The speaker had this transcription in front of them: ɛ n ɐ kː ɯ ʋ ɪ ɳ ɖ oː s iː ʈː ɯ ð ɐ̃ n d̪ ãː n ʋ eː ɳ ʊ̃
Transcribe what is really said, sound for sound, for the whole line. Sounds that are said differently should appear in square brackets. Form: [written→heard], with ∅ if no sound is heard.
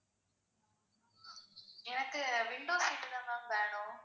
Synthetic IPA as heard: ɛ n ɐ kː ɯ ʋ ɪ ɳ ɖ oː s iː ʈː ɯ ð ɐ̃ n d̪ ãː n ʋ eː ɳ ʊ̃